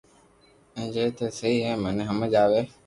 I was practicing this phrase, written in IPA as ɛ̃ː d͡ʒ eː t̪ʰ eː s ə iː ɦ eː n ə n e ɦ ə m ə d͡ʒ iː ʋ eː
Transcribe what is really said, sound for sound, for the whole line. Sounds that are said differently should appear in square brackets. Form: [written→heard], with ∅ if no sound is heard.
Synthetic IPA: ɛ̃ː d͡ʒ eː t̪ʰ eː s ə iː ɦ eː [n→m] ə n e ɦ ə m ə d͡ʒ [iː→aː] ʋ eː